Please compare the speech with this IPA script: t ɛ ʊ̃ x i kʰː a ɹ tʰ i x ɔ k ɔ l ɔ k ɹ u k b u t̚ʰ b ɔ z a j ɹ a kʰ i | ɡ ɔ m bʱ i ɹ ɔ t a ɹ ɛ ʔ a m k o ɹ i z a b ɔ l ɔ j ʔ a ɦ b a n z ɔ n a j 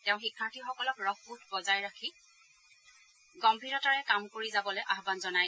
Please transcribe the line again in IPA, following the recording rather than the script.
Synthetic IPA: t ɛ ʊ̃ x i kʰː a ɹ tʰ i x ɔ k ɔ l ɔ k ɹ ɔ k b u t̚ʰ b ɔ z a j ɹ a kʰ i | ɡ ɔ m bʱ i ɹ ɔ t a ɹ ɛ k a m k o ɹ i z a b ɔ l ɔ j ʔ a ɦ b a n z ɔ n a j